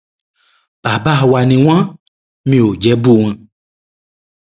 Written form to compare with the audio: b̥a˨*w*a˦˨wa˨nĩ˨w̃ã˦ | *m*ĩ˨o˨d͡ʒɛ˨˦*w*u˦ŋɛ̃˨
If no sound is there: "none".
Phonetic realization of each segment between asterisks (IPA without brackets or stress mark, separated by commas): b, m, b